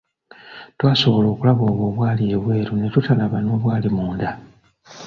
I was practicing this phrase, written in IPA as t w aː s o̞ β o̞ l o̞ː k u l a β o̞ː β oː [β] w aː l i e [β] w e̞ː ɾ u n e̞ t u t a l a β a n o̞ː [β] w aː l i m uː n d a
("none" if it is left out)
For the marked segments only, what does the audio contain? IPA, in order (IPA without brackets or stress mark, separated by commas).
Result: β, β, β